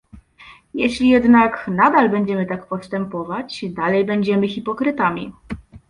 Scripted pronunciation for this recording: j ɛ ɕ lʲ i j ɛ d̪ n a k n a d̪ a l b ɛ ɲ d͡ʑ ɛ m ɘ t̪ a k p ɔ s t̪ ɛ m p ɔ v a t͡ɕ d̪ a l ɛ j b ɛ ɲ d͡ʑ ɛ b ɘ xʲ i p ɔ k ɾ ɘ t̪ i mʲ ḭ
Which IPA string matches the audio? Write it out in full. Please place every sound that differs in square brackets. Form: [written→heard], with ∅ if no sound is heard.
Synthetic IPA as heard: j ɛ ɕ lʲ i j ɛ d̪ n a k n a d̪ a l b ɛ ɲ d͡ʑ ɛ m ɘ t̪ a k p ɔ s t̪ ɛ m p ɔ v a t͡ɕ d̪ a l ɛ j b ɛ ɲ d͡ʑ ɛ [b→m] ɘ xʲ i p ɔ k ɾ ɘ t̪ [i→a] mʲ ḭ